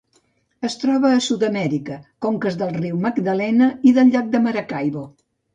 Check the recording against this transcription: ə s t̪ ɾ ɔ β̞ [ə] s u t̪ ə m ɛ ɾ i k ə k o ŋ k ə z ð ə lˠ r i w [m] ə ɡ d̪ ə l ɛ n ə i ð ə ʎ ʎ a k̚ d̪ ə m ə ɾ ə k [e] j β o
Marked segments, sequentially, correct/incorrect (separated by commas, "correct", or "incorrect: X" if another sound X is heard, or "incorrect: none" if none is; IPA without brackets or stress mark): incorrect: əː, correct, incorrect: a